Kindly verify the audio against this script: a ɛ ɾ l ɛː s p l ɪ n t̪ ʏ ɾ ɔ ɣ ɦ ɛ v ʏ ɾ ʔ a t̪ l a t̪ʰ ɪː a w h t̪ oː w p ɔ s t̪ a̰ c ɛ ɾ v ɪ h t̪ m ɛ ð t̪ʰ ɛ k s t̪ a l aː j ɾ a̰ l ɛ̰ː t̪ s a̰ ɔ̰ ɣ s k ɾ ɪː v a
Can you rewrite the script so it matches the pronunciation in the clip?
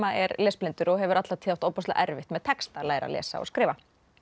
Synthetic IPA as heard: a ɛ ɾ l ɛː s p l ɪ n t̪ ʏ ɾ ɔ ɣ ɦ ɛ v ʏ ɾ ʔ a t̪ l a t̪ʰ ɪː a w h t̪ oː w p ɔ s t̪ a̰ ʔ ɛ ɾ v ɪ h t̪ m ɛ ð t̪ʰ ɛ k s t̪ a l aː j ɾ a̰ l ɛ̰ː s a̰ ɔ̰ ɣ s k ɾ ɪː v a

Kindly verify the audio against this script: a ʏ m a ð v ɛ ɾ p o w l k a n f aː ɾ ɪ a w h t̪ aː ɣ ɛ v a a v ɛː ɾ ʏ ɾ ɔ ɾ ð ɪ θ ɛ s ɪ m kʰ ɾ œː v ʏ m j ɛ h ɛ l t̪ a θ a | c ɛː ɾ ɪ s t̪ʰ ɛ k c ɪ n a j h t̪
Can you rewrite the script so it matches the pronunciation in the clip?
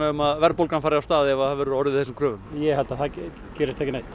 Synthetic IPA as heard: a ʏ m a ð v ɛ ɾ p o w l k a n f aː ɾ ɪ a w s t̪ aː ð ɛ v a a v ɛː ɾ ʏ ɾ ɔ ɾ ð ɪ θ ɛ s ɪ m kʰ ɾ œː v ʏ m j ɛ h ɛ l t̪ a θ a | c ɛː ɾ ɪ s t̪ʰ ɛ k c ɪ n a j h t̪

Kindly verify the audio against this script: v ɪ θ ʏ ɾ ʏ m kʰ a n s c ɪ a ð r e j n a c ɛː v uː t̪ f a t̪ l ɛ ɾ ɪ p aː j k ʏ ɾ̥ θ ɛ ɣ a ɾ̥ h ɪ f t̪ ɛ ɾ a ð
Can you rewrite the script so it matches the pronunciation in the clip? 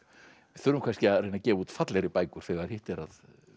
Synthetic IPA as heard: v ɪ θ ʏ ɾ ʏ m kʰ a n s c ɪ a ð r e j n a c ɛː v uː t̪ f a t̪ l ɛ ɾ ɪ p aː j k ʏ ɾ̥ θ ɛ ɣ a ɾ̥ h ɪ h t̪ ɛ ɾ a ð

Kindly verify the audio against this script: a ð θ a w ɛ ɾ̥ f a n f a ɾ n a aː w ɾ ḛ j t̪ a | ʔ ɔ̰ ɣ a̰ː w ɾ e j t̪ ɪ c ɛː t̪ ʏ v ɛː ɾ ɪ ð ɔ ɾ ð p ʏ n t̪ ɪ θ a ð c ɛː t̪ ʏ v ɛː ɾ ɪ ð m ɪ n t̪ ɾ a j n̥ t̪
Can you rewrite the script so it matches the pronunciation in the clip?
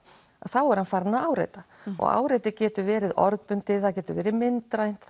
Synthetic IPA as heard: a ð θ a w ɛ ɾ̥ h a n f a ɾ n a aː w ɾ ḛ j t̪ a | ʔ ɔ̰ ɣ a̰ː w ɾ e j t̪ ɪ c ɛː t̪ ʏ v ɛː ɾ ɪ ð ɔ ɾ ð p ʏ n t̪ ɪ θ a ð c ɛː t̪ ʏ v ɛː ɾ ɪ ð m ɪ n t̪ ɾ a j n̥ t̪

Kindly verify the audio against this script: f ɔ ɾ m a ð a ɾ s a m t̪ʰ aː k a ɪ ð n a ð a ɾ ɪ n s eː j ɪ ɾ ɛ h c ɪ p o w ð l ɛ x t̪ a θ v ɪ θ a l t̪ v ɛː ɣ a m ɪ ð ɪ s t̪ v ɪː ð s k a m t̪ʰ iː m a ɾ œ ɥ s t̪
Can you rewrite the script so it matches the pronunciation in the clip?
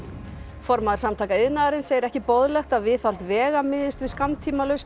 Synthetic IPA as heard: f ɔ ɾ m a ð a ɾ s a m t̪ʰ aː k a ɪ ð n a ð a ɾ ɪ n s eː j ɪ ɾ ɛ h c ɪ p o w ð l ɛ x t̪ a ð v ɪ θ a l t̪ v ɛː ɣ a m ɪ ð ɪ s t̪ v ɪ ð s k a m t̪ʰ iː m a l œ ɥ s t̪

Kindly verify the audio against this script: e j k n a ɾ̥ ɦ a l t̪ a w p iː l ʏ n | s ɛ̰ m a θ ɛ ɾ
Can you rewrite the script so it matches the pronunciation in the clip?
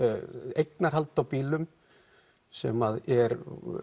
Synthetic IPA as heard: e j k n a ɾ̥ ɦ a l t̪ a w p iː l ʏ m | s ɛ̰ m a ð ɛ ɾ

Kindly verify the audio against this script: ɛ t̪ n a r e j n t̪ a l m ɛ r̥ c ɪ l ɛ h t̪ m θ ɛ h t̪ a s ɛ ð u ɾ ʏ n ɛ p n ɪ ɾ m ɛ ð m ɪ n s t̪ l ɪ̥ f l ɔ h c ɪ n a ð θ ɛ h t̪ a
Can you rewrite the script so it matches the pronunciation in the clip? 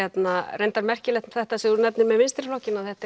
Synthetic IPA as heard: ɛ t̪ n a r e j n t̪ a ɾ m ɛ r̥ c ɪ l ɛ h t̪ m θ ɛ h t̪ a s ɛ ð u ɾ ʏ n ɛ p n ɪ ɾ m ɛ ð m ɪ n s t̪ ɾ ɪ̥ f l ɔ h c ɪ n a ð θ ɛ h t̪ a

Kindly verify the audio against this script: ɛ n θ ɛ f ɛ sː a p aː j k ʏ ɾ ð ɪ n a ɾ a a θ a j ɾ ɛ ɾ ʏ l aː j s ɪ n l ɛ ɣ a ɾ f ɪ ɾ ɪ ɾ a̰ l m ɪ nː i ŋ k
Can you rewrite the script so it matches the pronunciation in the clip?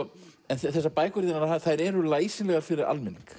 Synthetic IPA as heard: ɛ n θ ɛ θ ɛ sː a p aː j k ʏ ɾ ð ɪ n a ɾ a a θ a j ɾ ɛ ɾ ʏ l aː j s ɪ n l ɛ ɣ a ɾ f ɪ ɾ ɪ ɾ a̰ l m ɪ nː i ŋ k

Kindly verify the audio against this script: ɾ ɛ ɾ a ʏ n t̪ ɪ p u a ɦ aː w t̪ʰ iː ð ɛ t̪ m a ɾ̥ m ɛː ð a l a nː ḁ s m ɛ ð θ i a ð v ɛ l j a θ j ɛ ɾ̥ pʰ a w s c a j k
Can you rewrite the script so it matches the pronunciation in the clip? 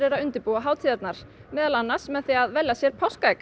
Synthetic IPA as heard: ɾ ɛ ɾ a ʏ n t̪ ɪ p u a ɦ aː w t̪ʰ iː ð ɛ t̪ n a ɾ̥ m ɛː ð a l a nː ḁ s m ɛ ð θ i a ð v ɛ l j a s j ɛ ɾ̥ pʰ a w s k a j k

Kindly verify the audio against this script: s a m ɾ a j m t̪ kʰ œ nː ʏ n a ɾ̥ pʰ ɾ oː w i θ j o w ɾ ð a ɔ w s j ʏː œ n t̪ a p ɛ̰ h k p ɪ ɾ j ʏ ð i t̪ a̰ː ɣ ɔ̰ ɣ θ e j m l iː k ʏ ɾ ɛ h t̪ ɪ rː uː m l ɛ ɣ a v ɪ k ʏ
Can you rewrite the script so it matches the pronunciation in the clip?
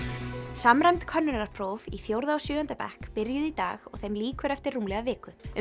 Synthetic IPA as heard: s a m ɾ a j m t̪ kʰ œ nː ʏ n a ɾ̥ pʰ ɾ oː v i θ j o w ɾ ð a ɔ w s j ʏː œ n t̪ a p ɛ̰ h k p ɪ ɾ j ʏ ð i t̪ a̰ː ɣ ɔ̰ ɣ θ e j m l iː k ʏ ɾ ɛ f t̪ ɪ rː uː m l ɛ ɣ a v ɪː k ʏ

